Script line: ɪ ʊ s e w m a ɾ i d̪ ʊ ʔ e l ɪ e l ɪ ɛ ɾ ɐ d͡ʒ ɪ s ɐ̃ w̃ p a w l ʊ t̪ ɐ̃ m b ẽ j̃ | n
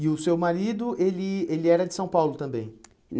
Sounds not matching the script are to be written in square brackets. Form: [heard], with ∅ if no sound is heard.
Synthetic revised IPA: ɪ ʊ s e w m a ɾ i d̪ ʊ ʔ e l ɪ e l ɪ ɛ ɾ ɐ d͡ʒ ɪ s ɐ̃ w̃ p a w l ʊ t̪ ɐ̃ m b ẽ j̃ | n